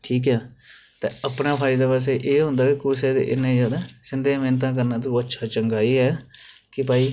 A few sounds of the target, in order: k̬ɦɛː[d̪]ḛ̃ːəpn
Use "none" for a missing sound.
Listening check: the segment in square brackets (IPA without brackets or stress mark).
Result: t̪